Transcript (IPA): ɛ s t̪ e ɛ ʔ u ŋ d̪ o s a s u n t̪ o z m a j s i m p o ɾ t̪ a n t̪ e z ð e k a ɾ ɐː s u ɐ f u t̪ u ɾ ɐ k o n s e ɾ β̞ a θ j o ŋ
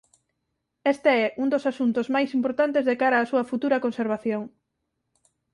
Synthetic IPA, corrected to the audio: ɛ s t̪ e ɛ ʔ u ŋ d̪ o s a s u n t̪ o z m a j s i m p o ɾ t̪ a n t̪ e z ð e k a ɾ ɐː s u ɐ f u t̪ u ɾ ɐ k o n s e ɾ β̞ a θ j o ŋ